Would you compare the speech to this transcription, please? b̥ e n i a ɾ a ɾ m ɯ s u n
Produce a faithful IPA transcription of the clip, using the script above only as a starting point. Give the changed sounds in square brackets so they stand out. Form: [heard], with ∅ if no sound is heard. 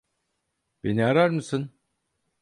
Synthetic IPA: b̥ e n i a ɾ a ɾ m ɯ s [ɯ] n